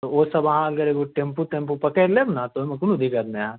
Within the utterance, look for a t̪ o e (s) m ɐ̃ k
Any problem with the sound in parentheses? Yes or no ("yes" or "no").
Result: yes